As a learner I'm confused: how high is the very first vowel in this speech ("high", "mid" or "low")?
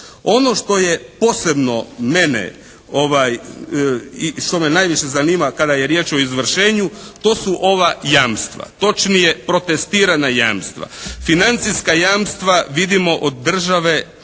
mid